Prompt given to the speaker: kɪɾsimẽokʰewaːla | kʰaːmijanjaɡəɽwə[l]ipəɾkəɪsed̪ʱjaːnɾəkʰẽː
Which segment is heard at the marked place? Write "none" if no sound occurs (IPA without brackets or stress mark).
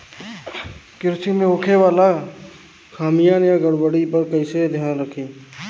ɽ